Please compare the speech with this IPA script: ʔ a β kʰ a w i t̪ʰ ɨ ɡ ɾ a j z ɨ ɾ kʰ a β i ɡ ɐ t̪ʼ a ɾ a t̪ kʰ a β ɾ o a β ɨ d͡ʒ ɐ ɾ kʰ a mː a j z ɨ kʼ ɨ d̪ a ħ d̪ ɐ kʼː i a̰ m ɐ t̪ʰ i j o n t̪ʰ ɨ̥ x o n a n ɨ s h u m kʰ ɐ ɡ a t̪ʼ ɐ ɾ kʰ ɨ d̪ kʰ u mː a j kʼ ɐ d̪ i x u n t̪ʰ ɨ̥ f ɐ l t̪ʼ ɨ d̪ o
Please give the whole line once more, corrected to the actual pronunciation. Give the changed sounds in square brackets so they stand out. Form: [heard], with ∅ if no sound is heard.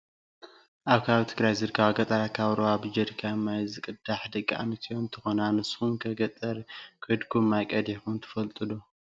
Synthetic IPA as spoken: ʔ a β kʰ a [β] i t̪ʰ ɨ ɡ ɾ a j z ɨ ɾ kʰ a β [a] ɡ ɐ t̪ʼ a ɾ a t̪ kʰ a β ɾ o a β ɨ d͡ʒ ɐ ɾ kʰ a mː a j z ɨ kʼ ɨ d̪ a ħ d̪ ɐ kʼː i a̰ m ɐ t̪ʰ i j o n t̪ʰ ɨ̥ x o n a n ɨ s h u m kʰ ɐ ɡ [ɐ] t̪ʼ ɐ ɾ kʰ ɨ d̪ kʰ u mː a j kʼ ɐ d̪ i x u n t̪ʰ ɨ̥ f ɐ l t̪ʼ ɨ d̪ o